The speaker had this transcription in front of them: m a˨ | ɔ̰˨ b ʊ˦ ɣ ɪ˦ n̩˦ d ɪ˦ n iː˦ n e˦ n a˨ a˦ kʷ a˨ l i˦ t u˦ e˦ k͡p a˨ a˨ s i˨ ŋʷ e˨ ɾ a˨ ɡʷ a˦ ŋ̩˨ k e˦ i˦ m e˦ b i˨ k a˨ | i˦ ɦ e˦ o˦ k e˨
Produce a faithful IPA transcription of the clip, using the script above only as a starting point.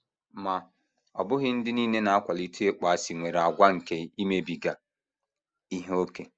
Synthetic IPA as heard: m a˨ | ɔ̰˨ b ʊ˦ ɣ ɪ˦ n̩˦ d ɪ˦ n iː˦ n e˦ n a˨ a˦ kʷ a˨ l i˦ t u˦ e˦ k͡p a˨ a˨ s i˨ ŋʷ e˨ ɾ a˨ ɡʷ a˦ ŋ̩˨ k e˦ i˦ m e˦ b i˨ ɡ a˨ | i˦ ɦ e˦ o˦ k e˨